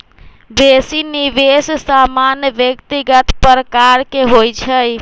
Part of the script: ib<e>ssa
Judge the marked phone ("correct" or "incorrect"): correct